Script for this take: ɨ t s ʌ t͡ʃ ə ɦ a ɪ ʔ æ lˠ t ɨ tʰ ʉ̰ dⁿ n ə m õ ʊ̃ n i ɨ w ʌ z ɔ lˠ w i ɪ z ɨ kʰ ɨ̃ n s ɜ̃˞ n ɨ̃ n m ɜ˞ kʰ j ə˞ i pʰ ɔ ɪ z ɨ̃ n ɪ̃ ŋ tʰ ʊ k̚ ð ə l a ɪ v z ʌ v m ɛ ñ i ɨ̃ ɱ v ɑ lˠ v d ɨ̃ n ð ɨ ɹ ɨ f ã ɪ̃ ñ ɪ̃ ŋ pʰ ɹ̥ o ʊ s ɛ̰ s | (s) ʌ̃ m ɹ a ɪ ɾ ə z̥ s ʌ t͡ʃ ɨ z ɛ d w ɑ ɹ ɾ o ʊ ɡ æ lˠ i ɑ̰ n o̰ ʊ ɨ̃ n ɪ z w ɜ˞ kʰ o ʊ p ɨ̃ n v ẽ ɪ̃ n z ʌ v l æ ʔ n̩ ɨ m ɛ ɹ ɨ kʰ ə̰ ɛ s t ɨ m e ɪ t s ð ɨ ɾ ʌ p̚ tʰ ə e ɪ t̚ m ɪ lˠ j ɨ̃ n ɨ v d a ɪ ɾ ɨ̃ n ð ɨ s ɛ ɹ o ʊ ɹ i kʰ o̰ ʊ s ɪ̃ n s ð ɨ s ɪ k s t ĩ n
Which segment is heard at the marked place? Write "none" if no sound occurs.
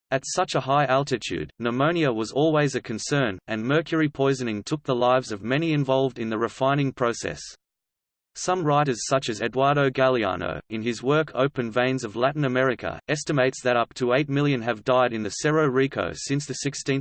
s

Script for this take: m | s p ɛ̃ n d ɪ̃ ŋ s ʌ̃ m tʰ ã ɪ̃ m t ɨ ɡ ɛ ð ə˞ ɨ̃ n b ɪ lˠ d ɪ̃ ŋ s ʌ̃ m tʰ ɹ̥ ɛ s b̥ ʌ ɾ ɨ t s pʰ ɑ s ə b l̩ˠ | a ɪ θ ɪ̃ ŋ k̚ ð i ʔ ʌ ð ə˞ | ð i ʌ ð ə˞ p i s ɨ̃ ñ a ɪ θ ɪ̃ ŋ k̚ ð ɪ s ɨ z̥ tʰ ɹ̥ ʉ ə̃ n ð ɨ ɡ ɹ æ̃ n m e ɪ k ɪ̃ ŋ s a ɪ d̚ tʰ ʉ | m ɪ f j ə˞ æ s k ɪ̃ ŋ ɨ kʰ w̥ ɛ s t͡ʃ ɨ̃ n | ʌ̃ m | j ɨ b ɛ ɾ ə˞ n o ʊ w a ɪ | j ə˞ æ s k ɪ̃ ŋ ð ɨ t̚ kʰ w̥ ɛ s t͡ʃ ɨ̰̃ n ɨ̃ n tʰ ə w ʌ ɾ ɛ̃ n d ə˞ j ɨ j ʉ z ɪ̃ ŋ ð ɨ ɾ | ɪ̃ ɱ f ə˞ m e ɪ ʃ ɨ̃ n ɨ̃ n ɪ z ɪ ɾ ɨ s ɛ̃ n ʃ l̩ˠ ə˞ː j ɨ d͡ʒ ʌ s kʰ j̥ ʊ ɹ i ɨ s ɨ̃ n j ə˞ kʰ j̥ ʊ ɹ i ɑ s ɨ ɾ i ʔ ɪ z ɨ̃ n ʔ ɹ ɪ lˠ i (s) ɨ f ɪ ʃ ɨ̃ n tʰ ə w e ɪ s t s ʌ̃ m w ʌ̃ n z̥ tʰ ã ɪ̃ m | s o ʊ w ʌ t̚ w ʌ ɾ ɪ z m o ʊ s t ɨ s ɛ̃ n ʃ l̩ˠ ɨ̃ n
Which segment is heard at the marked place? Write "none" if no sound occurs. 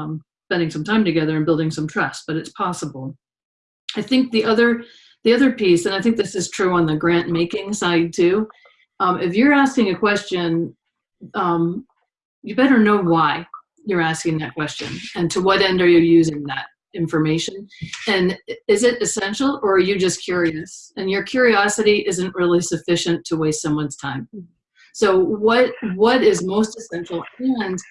s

